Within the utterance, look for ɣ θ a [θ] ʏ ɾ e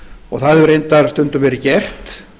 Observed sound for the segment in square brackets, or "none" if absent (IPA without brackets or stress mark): ð